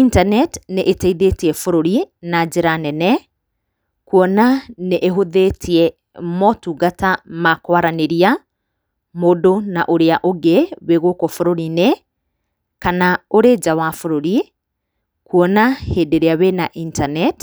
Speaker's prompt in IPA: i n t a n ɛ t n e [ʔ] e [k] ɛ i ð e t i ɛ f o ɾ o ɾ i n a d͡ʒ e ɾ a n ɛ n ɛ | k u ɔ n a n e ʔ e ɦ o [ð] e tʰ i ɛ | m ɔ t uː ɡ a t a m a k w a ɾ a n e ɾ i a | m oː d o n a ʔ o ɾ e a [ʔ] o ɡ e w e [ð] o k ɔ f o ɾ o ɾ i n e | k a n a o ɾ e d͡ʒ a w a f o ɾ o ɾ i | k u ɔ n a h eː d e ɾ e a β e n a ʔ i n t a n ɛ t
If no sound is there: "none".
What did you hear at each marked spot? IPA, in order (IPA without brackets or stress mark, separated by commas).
ʔ, t, ð, ʔ, ɣ